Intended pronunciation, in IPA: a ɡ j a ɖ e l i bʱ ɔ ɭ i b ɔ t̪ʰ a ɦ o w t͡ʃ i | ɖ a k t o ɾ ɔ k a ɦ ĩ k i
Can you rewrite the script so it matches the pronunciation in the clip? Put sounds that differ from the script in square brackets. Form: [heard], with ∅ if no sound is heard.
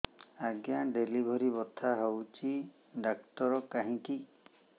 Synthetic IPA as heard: a ɡ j a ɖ e l i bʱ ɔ [ɾ] i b ɔ t̪ʰ a ɦ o w t͡ʃ i | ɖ a k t [ɔ] ɾ ɔ k a ɦ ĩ k i